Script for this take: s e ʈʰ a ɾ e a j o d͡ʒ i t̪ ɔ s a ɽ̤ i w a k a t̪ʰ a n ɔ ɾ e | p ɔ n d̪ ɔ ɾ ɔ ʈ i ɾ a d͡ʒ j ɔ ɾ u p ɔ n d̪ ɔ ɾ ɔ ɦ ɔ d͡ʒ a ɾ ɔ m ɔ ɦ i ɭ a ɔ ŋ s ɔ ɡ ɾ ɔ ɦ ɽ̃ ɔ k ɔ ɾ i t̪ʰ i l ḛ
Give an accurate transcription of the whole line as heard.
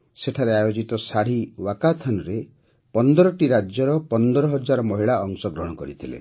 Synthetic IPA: s e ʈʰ a ɾ e a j o d͡ʒ i t̪ ɔ s a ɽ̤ i w a k a t̪ʰ a n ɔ ɾ e | p ɔ n d̪ ɔ ɾ ɔ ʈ i ɾ a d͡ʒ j ɔ ɾ ɔ p ɔ n d̪ ɔ ɾ ɔ ɦ ɔ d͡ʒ a ɾ ɔ m ɔ ɦ i ɭ a ɔ ŋ s ɔ ɡ ɾ ɔ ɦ ɽ̃ ɔ k ɔ ɾ i t̪ʰ i l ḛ